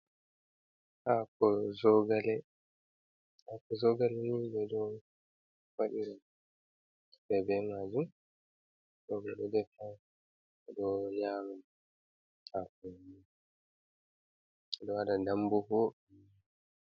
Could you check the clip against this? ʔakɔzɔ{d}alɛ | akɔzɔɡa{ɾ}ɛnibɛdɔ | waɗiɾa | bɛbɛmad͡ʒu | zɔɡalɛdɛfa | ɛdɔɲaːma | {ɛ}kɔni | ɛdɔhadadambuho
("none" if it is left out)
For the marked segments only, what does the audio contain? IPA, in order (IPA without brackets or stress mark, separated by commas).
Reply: ɡ, l, a